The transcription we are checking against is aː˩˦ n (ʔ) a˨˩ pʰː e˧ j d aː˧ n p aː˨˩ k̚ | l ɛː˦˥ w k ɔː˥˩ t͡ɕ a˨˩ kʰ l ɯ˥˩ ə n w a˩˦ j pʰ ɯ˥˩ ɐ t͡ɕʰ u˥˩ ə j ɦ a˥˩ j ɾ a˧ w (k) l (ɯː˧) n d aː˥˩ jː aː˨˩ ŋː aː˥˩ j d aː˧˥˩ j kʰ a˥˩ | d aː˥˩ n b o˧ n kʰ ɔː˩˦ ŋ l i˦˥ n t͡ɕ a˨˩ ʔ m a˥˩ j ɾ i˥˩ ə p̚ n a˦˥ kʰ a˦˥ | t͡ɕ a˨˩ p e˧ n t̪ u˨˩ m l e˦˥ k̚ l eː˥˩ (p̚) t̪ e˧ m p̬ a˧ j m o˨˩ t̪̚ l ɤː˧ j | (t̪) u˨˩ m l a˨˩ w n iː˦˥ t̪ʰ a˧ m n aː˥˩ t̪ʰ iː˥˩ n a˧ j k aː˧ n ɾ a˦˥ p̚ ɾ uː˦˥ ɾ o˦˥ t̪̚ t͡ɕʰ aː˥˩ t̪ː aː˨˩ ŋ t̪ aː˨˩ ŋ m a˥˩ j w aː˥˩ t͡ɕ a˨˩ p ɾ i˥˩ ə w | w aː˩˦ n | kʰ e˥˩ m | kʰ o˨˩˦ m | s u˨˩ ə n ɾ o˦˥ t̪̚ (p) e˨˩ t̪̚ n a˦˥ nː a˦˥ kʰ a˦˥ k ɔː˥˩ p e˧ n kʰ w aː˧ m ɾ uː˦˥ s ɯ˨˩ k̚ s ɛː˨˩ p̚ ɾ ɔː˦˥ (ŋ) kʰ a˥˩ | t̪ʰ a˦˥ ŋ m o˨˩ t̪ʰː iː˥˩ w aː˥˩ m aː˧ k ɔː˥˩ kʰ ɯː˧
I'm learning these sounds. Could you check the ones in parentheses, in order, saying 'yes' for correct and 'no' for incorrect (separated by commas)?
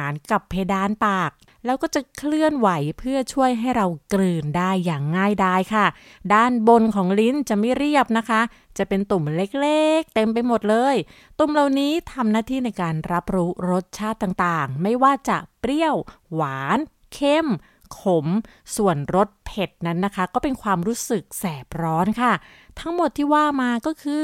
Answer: no, yes, yes, no, yes, no, no